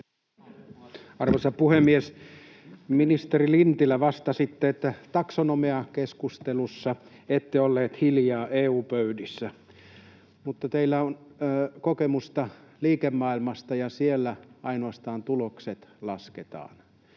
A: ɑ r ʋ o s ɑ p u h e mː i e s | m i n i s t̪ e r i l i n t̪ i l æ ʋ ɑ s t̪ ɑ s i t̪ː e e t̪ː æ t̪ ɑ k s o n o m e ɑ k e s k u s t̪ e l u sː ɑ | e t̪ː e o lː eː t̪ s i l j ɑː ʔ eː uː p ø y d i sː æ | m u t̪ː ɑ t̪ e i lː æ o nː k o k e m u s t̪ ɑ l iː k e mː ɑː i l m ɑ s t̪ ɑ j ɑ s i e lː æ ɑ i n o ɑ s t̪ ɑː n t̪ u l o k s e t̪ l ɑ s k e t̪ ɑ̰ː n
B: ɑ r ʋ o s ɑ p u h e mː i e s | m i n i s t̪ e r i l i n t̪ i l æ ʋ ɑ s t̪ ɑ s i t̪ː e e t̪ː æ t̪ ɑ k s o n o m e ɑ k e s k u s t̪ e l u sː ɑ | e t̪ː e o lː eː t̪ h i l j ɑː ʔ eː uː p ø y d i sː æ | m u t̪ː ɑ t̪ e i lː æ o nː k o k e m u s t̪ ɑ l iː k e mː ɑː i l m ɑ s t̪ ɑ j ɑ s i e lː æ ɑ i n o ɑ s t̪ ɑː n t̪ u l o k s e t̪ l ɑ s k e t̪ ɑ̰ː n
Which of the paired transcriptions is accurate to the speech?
B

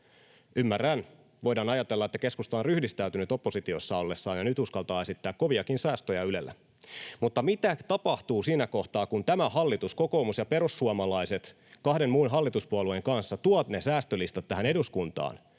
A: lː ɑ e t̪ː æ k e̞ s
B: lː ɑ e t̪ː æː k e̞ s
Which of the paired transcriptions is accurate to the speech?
A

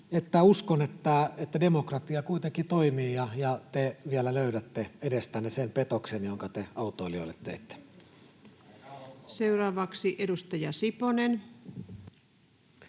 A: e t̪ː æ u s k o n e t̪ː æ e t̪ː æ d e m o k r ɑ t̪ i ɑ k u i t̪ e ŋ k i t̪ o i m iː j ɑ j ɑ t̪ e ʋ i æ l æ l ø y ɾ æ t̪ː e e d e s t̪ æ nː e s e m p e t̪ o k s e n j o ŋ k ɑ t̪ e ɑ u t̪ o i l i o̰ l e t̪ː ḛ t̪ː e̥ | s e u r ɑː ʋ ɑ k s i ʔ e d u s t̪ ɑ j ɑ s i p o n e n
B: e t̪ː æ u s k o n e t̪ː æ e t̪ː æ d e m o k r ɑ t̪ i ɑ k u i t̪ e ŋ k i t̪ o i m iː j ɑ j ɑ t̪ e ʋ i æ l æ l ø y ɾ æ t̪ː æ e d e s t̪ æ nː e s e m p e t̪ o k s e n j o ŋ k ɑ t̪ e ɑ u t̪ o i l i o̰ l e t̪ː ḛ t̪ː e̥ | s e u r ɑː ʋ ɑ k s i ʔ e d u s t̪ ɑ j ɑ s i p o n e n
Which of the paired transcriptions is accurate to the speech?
A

